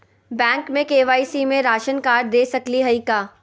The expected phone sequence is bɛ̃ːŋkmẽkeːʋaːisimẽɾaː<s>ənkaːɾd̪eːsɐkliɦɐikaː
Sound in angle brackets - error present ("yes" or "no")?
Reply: yes